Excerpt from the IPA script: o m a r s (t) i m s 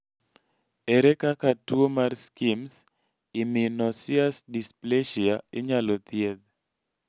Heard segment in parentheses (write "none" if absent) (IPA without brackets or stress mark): k